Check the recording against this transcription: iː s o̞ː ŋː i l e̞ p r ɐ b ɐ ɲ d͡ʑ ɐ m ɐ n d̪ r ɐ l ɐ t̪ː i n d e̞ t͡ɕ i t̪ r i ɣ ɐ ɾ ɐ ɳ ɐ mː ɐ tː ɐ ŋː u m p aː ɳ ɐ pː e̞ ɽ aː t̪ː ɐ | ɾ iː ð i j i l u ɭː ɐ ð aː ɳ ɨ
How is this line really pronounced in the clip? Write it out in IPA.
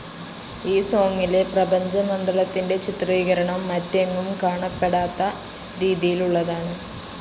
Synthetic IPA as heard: iː s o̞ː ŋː i l e̞ p r ɐ b ɐ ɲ d͡ʑ ɐ m ɐ n d̪ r ɐ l ɐ t̪ː i n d e̞ t͡ɕ i t̪ r iː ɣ ɐ ɾ ɐ ɳ ɐ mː ɐ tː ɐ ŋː u m k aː ɳ ɐ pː e̞ ɽ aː t̪ː ɐ | ɾ iː ð i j i l u ɭː ɐ ð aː ɳ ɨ